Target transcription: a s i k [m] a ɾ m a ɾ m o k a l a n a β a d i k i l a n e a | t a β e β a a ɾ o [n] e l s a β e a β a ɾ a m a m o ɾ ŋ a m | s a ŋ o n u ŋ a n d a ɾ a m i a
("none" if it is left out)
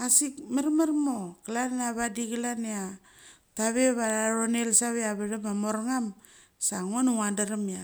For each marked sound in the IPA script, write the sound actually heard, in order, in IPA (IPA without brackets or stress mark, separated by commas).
m, n